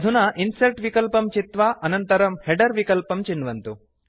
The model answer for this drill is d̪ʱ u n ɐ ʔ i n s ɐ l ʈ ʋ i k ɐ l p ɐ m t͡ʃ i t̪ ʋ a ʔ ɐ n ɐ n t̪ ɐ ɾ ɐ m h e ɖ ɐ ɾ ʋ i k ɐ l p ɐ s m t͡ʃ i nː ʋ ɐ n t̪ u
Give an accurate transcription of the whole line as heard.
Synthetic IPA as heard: d̪ʱ u n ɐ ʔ i n s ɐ l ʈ ʋ i k ɐ l p ɐ m t͡ʃ i t̪ ʋ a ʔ ɐ n ɐ n t̪ ɐ ɾ ɐ m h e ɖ ɐ ɾ ʋ i k ɐ l p ɐ m t͡ʃ i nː ʋ ɐ n t̪ u